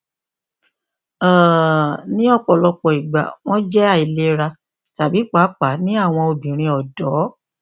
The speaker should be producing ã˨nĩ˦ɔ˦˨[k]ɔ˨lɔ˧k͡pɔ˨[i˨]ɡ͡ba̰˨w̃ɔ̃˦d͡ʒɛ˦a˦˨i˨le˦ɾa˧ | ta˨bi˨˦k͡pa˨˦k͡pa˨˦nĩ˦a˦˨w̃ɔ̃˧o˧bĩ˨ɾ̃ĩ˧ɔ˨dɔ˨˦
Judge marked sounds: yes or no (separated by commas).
no, yes